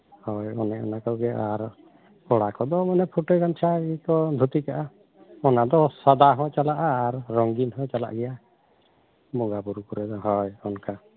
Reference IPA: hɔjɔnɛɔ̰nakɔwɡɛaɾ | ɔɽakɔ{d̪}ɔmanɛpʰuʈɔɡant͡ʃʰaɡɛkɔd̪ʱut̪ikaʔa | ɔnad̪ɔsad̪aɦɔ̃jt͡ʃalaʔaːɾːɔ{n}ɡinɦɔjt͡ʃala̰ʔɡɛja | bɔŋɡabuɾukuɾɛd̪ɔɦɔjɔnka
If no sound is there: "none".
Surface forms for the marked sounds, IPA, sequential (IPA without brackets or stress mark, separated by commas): d̪, ŋ